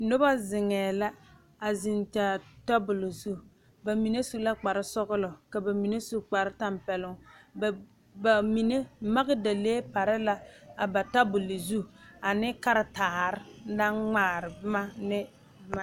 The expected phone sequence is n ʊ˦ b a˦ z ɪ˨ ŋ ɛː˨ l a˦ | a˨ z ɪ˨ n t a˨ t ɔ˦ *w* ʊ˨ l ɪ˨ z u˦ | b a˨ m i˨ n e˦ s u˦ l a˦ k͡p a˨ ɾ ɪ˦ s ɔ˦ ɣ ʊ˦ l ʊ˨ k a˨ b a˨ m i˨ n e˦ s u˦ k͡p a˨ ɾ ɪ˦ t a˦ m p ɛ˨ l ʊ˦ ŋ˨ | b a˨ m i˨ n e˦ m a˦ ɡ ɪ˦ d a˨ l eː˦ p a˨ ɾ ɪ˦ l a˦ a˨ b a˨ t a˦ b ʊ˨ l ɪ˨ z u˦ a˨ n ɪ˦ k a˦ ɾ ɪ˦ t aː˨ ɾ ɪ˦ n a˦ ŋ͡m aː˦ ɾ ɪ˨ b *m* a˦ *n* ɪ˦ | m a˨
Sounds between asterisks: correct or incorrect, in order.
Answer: incorrect, correct, correct

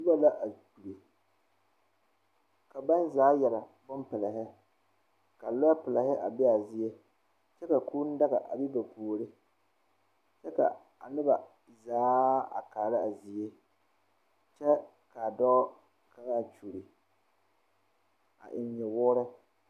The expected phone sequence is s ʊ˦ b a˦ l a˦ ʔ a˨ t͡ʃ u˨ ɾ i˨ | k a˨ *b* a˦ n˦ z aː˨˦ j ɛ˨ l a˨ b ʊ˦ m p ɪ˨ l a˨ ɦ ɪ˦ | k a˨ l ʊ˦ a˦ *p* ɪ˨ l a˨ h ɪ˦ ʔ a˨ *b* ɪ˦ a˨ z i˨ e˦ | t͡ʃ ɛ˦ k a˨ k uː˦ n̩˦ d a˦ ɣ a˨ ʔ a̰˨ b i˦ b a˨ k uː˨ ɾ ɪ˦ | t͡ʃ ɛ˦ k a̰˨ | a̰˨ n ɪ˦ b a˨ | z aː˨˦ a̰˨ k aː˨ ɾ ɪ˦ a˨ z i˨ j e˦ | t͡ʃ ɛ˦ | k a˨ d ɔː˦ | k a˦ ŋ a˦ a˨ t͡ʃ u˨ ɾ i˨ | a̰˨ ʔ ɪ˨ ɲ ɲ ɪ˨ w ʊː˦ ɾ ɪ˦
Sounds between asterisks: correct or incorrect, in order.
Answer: correct, correct, correct

